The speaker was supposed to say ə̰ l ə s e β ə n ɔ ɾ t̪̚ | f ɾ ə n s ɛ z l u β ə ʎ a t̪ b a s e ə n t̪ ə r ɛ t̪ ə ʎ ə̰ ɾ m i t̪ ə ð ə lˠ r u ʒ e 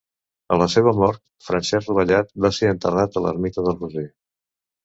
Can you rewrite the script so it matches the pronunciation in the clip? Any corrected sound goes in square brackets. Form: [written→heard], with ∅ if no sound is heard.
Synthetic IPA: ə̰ l ə s e β ə [n→m] ɔ ɾ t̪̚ | f ɾ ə n s ɛ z [l→r] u β ə ʎ a t̪ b a s e ə n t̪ ə r [ɛ→a] t̪ ə [ʎ→l] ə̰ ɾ m i t̪ ə ð ə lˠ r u [ʒ→z] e

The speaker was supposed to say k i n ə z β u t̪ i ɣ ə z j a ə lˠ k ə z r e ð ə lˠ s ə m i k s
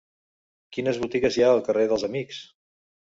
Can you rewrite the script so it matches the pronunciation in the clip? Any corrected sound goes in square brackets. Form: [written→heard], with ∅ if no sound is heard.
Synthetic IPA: k i n ə z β u t̪ i ɣ ə z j a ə lˠ k ə [z→∅] r e ð ə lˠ [s→z] ə m i k s

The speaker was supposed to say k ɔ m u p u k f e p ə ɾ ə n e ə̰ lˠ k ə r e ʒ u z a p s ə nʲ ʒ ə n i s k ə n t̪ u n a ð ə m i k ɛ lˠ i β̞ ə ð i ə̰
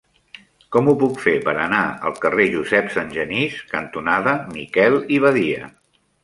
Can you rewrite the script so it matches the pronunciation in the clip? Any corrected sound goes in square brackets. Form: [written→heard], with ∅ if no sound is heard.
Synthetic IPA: k ɔ m u p u k f e p ə ɾ ə n [e→a] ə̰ lˠ k ə r e ʒ u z [a→ɛ] p s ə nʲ ʒ ə n i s k ə n t̪ u n a ð ə m i k ɛ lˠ i β̞ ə ð i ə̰

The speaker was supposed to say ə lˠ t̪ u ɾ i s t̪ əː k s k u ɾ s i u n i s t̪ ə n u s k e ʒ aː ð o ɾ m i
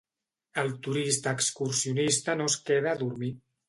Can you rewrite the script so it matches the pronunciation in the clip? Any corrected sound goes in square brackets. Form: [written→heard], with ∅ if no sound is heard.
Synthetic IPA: ə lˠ t̪ u ɾ i s t̪ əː k s k u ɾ s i u n i s t̪ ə n [u→o] s k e [ʒ→ð] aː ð [o→u] ɾ m i

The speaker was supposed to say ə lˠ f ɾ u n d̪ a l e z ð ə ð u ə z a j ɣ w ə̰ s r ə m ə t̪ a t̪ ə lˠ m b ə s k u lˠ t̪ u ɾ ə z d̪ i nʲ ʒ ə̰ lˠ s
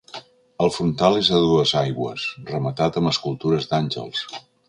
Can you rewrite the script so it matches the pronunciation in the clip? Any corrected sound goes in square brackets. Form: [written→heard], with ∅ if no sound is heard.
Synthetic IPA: ə lˠ f ɾ u n [d̪→t̪] a l e z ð ə ð u ə z a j ɣ w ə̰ s r ə m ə t̪ a t̪ ə [lˠ→∅] m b ə s k u lˠ t̪ u ɾ ə z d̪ [i→a] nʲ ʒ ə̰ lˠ s

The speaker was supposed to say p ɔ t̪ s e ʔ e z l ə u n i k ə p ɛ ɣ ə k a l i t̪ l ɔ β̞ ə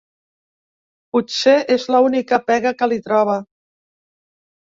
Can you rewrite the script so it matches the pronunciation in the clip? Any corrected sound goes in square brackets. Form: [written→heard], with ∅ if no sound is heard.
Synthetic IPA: p [ɔ→u] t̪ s e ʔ e z l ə u n i k ə p ɛ ɣ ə k [a→ə] l i t̪ [l→ɾ] ɔ β̞ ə

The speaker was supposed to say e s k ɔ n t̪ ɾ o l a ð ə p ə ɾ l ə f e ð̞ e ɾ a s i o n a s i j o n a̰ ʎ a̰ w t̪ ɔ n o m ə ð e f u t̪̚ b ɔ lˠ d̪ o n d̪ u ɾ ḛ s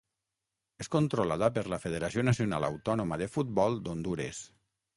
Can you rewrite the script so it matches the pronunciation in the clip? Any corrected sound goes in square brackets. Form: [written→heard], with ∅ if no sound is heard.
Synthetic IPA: e s k [ɔ→o] n t̪ ɾ o l a ð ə p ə ɾ l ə f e ð̞ e ɾ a s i o n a s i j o n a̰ [ʎ→l] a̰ w t̪ ɔ n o m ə ð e f u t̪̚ b ɔ lˠ d̪ o n d̪ u ɾ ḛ s

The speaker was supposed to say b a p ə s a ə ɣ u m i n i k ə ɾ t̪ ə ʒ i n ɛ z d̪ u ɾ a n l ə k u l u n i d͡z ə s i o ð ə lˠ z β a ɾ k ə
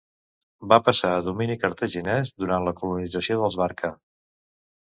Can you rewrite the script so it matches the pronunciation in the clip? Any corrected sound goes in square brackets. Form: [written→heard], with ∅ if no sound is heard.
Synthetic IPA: b a p ə s a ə [ɣ→ð] u m i n i k ə ɾ t̪ ə ʒ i n ɛ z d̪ u ɾ a n l ə k u l u n i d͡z ə s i o ð ə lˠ z β a ɾ k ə

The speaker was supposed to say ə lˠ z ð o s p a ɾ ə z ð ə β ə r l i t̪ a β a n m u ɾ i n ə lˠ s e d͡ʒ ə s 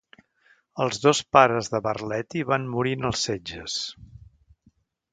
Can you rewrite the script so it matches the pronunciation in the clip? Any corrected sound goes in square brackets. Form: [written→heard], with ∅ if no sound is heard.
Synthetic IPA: ə lˠ z ð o s p a ɾ ə z ð ə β ə r l [i→ɛ] t̪ [a→i] β a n m u ɾ i n ə lˠ s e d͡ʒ ə s

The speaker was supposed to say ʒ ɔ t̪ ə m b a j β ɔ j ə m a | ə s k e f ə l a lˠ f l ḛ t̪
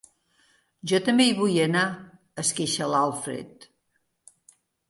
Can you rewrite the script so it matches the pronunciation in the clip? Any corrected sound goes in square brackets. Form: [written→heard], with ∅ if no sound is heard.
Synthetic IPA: ʒ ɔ t̪ ə m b [a→e] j β [ɔ→u] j ə [m→n] a | ə s k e [f→ʃ] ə l a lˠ f [l→ɾ] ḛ t̪

